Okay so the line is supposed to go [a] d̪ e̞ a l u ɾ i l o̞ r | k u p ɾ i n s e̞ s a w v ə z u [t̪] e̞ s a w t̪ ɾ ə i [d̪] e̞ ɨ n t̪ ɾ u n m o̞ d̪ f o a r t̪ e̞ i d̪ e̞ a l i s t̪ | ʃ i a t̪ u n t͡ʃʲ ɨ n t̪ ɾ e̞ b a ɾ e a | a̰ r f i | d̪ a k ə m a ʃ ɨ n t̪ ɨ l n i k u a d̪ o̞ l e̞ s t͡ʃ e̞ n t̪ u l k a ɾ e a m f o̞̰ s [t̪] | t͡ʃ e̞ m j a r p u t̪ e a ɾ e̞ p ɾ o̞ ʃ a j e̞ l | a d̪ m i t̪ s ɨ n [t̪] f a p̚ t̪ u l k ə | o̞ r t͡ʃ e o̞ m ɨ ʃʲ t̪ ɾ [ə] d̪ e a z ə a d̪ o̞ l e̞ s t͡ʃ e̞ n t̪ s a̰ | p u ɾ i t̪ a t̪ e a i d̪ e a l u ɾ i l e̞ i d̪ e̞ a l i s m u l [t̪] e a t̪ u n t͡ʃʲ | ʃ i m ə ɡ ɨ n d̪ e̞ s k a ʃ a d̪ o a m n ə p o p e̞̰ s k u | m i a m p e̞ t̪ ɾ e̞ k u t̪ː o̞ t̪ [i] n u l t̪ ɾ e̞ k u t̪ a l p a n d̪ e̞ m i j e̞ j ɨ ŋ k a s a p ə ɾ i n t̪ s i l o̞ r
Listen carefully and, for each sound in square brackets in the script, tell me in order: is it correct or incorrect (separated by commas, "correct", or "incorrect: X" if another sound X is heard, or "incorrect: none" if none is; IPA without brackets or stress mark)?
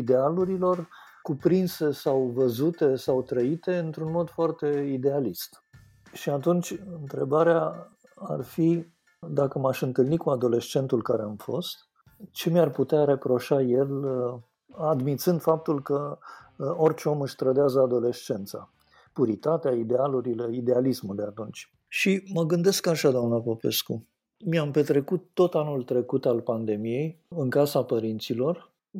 incorrect: i, correct, incorrect: t̪, correct, incorrect: d̪, correct, incorrect: d̪, incorrect: a